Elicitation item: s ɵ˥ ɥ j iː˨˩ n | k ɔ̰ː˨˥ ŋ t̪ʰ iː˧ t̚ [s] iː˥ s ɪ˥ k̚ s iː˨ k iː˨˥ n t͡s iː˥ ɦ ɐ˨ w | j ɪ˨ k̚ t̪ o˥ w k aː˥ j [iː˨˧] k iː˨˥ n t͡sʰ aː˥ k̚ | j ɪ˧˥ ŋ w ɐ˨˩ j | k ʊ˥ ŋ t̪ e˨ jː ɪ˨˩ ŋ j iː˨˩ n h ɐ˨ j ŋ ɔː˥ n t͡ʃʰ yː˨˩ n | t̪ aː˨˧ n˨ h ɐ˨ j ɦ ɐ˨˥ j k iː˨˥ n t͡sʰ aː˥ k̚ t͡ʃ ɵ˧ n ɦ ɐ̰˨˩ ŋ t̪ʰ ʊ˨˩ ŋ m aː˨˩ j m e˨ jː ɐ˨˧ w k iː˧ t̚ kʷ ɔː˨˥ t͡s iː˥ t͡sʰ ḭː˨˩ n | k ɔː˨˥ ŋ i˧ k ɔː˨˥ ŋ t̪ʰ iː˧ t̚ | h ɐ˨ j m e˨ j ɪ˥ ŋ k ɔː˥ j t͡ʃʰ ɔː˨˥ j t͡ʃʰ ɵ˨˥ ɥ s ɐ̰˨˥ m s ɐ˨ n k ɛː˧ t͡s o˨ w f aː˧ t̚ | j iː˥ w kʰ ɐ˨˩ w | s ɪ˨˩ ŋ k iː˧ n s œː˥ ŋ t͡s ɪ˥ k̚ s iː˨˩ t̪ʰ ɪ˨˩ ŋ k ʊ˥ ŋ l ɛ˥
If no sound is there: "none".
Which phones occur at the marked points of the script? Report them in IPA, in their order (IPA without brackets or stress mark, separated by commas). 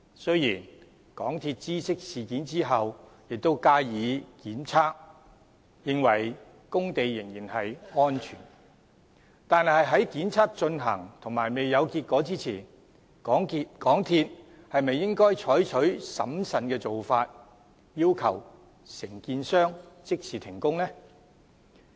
t͡s, iː˨˧